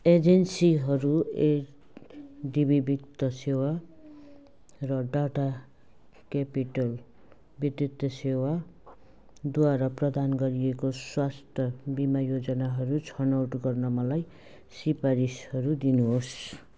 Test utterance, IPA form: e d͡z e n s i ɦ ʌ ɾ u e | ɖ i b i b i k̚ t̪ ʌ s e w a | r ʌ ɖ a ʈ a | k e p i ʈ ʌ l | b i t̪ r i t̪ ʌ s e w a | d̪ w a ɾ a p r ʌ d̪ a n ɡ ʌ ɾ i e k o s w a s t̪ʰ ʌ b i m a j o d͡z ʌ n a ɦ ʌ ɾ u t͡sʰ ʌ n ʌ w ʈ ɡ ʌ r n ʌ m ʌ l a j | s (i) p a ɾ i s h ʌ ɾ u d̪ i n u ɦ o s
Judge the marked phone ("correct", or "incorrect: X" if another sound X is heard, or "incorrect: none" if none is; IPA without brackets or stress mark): correct